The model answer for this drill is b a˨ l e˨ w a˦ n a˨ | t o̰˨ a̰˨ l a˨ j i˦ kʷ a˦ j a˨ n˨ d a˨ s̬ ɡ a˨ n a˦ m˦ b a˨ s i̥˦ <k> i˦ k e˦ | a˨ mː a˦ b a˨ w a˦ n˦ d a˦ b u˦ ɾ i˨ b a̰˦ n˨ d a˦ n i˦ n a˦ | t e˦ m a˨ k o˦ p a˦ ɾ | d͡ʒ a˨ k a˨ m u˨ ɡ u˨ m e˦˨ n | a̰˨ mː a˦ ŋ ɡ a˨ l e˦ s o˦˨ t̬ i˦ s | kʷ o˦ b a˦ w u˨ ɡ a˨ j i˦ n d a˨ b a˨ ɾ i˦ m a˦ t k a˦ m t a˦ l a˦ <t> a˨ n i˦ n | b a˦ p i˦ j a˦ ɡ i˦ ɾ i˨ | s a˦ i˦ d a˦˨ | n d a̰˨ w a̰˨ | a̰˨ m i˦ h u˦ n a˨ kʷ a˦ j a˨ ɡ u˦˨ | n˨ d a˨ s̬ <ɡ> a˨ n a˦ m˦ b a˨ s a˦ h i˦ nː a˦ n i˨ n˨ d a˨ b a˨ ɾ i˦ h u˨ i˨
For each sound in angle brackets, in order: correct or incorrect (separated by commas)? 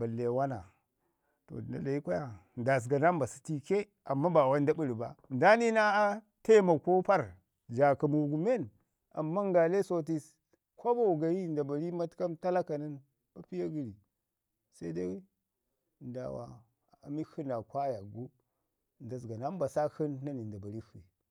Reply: incorrect, incorrect, correct